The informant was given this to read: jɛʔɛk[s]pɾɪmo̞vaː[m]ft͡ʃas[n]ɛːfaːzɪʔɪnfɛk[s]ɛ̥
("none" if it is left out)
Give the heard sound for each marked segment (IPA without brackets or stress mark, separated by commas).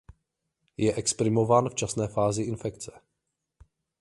s, n, n, t͡s